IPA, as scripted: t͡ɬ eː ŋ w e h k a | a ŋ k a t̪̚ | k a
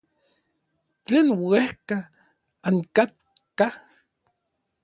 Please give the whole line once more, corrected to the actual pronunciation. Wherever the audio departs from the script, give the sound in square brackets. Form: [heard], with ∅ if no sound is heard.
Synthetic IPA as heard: t͡ɬ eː [n] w e h k a | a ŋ k a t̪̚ | k a